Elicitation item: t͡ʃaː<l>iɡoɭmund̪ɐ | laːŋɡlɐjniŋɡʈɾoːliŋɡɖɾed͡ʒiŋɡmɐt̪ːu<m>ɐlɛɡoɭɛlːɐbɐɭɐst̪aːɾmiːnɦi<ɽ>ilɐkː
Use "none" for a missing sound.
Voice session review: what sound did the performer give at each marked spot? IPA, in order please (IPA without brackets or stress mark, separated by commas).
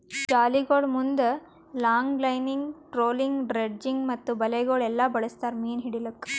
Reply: l, b, ɽ